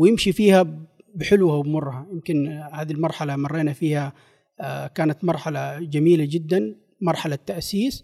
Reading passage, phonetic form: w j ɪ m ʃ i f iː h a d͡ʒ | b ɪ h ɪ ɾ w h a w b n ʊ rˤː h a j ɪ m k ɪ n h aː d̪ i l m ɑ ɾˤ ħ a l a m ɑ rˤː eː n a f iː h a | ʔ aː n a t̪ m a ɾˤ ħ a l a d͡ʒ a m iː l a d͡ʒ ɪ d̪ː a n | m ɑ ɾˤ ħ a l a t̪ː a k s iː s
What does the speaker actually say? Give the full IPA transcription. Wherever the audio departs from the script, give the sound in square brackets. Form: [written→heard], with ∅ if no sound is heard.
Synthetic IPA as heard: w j ɪ m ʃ i f iː h a [d͡ʒ→∅] | b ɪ [h→ħ] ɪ [ɾ→l] w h a w b [n→m] ʊ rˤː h a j ɪ m k ɪ n h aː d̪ i l m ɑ ɾˤ ħ a l a m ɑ rˤː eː n a f iː h a | [ʔ→k] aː n a t̪ m [a→ɑ] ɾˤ ħ a l a d͡ʒ a m iː l a d͡ʒ ɪ d̪ː a n | m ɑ ɾˤ ħ a l a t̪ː a [k→ʔ] s iː s